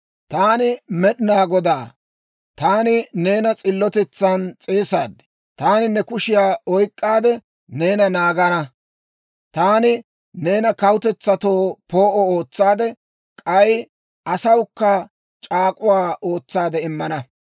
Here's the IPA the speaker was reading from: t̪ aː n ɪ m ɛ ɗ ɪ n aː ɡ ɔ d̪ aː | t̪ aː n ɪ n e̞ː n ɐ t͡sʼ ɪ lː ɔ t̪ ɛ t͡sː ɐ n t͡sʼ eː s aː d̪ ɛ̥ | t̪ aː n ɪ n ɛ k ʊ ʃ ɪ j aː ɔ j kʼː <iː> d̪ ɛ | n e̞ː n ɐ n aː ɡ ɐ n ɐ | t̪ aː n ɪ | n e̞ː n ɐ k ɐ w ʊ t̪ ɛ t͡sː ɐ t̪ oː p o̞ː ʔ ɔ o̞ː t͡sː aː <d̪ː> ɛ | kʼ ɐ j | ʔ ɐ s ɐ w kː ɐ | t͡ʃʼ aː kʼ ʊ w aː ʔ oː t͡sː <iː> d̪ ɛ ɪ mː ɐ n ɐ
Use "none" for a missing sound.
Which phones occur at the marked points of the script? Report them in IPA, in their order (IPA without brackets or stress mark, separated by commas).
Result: aː, d̪, aː